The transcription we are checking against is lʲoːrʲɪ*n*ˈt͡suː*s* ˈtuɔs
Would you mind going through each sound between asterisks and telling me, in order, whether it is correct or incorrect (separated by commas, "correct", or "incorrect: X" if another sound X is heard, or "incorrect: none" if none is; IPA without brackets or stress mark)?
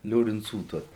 correct, incorrect: none